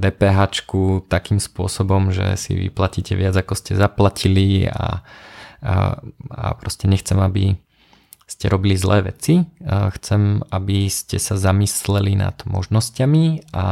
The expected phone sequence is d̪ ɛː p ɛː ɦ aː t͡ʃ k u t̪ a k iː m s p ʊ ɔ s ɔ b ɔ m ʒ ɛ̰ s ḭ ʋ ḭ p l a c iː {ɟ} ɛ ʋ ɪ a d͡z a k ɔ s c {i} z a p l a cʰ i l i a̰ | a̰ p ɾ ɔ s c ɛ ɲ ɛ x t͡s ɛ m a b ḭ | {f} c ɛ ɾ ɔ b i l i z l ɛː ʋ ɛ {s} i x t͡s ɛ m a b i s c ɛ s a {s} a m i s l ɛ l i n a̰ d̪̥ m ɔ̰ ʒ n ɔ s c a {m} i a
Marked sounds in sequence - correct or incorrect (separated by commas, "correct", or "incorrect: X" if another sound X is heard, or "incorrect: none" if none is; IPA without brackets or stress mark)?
incorrect: c, incorrect: ɛ, incorrect: s, incorrect: t͡s, incorrect: z, correct